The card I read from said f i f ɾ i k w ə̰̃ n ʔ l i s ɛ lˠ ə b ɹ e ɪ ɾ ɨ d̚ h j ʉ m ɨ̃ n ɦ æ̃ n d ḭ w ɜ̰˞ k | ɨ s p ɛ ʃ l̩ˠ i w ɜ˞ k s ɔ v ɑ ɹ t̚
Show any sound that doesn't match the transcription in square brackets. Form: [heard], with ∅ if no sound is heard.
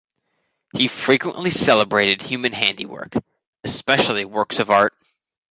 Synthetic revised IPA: [h] i f [ɹ] i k w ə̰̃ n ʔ l i s ɛ lˠ ə b ɹ e ɪ ɾ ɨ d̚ h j ʉ m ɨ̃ n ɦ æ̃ n d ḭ w ɜ̰˞ k | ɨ s p ɛ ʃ l̩ˠ i w ɜ˞ k s [ʌ] v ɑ ɹ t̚